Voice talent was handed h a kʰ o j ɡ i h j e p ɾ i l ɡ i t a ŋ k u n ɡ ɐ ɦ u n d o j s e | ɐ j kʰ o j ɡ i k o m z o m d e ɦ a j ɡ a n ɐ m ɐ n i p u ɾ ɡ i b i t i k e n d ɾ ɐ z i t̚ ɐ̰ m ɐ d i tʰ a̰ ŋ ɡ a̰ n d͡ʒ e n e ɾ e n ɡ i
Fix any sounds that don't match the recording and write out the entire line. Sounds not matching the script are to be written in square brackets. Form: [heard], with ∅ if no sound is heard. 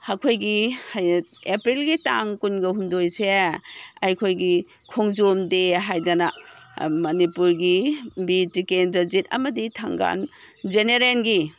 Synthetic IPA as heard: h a kʰ o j ɡ i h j e p ɾ i l ɡ i t a ŋ k u n ɡ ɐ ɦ u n d o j s e | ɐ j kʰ o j ɡ i [kʰ] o [ŋ] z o m d e ɦ a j [d] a n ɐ m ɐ n i p u ɾ ɡ i b i t i k e n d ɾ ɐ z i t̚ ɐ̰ m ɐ d i tʰ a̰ ŋ ɡ a̰ n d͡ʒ e n e ɾ e n ɡ i

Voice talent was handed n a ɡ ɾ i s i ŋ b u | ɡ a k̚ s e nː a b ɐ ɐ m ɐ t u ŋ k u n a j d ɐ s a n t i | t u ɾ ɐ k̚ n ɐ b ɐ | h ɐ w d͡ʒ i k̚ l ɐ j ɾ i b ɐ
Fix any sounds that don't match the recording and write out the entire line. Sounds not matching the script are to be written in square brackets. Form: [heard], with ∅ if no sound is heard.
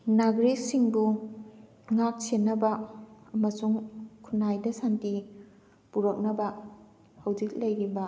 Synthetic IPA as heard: n a ɡ ɾ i s i ŋ b u | [ŋ] a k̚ s e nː [ɐ] b ɐ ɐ m ɐ [s] u ŋ [kʰ] u n a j d ɐ s a n t i | [p] u ɾ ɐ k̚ n ɐ b ɐ | h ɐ w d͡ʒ i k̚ l ɐ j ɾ i b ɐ

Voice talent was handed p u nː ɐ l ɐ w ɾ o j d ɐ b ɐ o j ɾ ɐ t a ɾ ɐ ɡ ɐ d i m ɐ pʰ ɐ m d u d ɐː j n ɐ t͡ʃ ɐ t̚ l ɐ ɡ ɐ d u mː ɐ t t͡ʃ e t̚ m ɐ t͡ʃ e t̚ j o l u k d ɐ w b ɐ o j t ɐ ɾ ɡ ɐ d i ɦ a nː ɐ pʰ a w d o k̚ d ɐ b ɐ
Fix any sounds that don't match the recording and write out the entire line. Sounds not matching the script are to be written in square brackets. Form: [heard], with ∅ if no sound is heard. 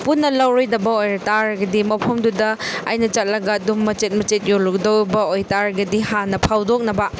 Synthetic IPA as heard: p u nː ɐ l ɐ w ɾ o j d ɐ b ɐ o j ɾ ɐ t a ɾ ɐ ɡ ɐ d i m ɐ pʰ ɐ m d u d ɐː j n ɐ t͡ʃ ɐ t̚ l ɐ ɡ ɐ d u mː ɐ [∅] t͡ʃ e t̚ m ɐ t͡ʃ e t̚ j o l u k d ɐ w b ɐ o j t [a] ɾ ɡ ɐ d i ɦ a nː ɐ pʰ a w d o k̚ [n] ɐ b ɐ

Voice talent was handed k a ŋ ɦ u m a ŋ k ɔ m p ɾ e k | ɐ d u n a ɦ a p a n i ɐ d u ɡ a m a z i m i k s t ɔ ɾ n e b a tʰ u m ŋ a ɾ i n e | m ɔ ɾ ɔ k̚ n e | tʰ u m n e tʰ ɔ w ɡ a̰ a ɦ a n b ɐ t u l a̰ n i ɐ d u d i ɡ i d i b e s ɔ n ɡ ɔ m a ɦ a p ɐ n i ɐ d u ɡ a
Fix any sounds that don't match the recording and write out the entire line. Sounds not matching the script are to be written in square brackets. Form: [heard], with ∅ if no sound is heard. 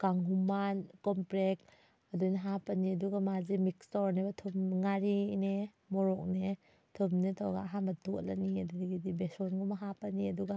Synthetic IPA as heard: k a ŋ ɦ u m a [n] k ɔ m p ɾ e k | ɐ d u n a ɦ a p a n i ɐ d u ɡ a m a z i m i k s t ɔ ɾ n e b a tʰ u m ŋ a ɾ i n e | m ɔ ɾ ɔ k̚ n e | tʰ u m n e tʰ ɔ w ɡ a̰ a ɦ a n b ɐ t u l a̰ n i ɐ d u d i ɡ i d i b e s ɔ n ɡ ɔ m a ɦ a p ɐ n i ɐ d u ɡ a

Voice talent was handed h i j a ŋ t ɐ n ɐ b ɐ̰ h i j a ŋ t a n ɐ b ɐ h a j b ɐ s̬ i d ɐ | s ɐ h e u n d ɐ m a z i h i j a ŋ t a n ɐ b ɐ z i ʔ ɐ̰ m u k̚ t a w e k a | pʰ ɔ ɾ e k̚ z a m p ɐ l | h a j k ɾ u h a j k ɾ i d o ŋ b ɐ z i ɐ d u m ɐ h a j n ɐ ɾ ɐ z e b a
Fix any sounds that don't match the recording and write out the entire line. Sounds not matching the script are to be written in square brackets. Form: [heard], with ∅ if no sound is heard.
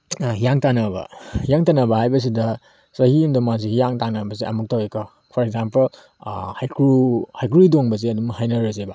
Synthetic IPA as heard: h i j a ŋ t [a] n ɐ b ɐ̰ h i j a ŋ t a n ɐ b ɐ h a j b ɐ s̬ i d ɐ | s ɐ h [i] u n d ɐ m a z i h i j a ŋ t a n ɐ b ɐ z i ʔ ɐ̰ m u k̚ t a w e k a | pʰ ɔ ɾ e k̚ z a m p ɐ l | h a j k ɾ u h a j k ɾ i d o ŋ b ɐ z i ɐ d u m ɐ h a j n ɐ ɾ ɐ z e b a

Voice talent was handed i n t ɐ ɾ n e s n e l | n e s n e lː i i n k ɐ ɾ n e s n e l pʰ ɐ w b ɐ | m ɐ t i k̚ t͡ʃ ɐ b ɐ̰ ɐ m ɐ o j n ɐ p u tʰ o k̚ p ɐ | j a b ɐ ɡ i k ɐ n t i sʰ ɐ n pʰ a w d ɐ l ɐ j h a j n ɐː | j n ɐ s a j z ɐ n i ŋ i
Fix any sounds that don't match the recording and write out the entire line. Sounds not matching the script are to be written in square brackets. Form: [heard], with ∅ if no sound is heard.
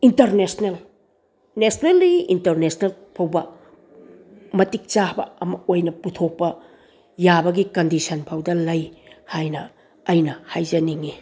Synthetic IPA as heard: i n t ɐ ɾ n e s n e l | n e s n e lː i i n [t] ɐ ɾ n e s n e l pʰ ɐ w b ɐ | m ɐ t i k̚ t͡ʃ [a] b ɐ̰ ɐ m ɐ o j n ɐ p u tʰ o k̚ p ɐ | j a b ɐ ɡ i k ɐ n [d] i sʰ ɐ n pʰ a w d ɐ l ɐ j h a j n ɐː | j n ɐ [h] a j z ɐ n i ŋ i

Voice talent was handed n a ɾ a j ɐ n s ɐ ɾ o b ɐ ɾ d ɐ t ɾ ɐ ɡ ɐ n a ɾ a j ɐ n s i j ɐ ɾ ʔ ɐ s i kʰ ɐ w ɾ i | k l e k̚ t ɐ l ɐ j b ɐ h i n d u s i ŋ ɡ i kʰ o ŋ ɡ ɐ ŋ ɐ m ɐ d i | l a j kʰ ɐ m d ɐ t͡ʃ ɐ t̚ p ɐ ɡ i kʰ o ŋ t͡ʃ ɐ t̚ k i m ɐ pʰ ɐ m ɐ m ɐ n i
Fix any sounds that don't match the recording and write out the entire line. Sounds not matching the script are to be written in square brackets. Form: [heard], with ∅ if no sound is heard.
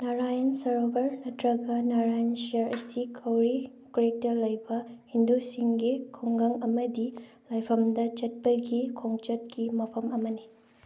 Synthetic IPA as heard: n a ɾ a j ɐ n s ɐ ɾ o b ɐ ɾ [n] ɐ t ɾ ɐ ɡ ɐ n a ɾ a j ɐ n s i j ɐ ɾ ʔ ɐ s i kʰ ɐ w ɾ i | k [ɾ] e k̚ t ɐ l ɐ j b ɐ h i n d u s i ŋ ɡ i kʰ o ŋ ɡ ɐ ŋ ɐ m ɐ d i | l a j [pʰ] ɐ m d ɐ t͡ʃ ɐ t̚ p ɐ ɡ i kʰ o ŋ t͡ʃ ɐ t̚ k i m ɐ pʰ ɐ m ɐ m ɐ n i

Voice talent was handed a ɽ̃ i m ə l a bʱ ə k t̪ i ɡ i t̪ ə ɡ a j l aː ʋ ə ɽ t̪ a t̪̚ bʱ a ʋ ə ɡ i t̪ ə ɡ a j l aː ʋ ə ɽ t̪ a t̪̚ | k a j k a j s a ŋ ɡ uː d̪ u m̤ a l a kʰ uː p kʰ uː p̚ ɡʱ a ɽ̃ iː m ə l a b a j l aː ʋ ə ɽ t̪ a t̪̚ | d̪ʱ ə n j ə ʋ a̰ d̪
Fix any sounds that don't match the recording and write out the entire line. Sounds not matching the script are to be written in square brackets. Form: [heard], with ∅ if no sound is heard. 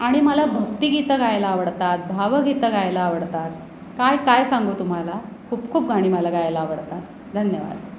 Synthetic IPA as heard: a ɽ̃ i m ə l a bʱ ə k t̪ i ɡ i t̪ ə ɡ a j l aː ʋ ə ɽ t̪ a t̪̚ bʱ a ʋ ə ɡ i t̪ ə ɡ a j l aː ʋ ə ɽ t̪ a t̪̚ | k a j k a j s a ŋ ɡ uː [t̪] u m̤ a l a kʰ uː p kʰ uː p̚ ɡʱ a ɽ̃ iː m ə l a [ɡ] a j l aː ʋ ə ɽ t̪ a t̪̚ | d̪ʱ ə n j ə ʋ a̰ d̪

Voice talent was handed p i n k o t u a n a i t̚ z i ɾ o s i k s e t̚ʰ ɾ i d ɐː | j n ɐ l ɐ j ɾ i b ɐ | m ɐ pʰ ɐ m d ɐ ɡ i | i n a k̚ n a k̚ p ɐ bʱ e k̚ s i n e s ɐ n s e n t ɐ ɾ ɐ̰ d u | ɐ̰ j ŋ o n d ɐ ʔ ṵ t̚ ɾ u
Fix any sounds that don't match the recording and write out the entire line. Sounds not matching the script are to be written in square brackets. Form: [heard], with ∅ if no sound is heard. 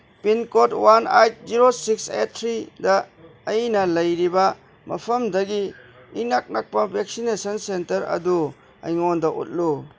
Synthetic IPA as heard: p i n k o t [w] a n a [j] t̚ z i ɾ o s i k s e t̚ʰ ɾ i d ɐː | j n ɐ l ɐ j ɾ i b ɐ | m ɐ pʰ ɐ m d ɐ ɡ i | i n a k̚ n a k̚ p ɐ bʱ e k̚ s i n e s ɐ n s e n t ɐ ɾ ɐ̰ d u | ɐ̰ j ŋ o n d ɐ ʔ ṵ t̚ [l] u

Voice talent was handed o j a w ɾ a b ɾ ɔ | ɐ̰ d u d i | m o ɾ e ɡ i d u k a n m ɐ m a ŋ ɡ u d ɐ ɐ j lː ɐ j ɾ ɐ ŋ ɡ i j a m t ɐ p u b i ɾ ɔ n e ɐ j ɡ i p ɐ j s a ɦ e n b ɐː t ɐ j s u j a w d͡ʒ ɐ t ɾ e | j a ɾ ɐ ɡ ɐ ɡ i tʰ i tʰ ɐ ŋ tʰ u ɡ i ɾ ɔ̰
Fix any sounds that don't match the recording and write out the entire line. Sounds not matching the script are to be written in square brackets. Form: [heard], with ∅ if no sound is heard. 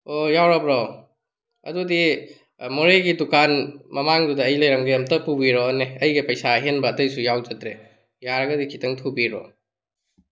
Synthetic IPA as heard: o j a w ɾ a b ɾ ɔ | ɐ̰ d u d i | m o ɾ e ɡ i d u k a n m ɐ m a ŋ [d] u d ɐ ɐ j [l] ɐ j ɾ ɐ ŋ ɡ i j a m t ɐ p u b i ɾ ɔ n e ɐ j ɡ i p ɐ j s a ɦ e n b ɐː t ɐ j s u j a w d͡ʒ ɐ t ɾ e | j a ɾ ɐ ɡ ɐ [d] i [kʰ] i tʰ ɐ ŋ tʰ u [b] i ɾ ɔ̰

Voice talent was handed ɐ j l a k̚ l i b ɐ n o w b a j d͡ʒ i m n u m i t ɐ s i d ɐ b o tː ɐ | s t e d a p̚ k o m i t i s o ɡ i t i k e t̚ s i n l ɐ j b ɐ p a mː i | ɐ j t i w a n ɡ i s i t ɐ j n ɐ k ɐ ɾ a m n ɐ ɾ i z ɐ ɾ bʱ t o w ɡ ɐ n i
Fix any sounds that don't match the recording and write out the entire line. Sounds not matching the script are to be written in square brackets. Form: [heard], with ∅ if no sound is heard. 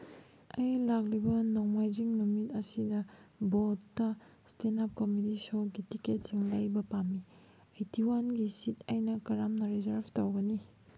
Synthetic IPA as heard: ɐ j l a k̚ l i b ɐ n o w [m] a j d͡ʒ i [ŋ] n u m i t ɐ s i d ɐ b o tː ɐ | s t e [n] a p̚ k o m i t i s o ɡ i t i k e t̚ s i [ŋ] l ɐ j b ɐ p a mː i | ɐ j t i w a n ɡ i s i t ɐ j n ɐ k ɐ ɾ a m n ɐ ɾ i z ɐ ɾ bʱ t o w ɡ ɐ n i

